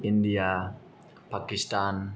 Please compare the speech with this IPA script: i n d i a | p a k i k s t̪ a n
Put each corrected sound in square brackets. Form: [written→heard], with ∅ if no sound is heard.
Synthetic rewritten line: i n d i a | p a k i [k→∅] s t̪ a n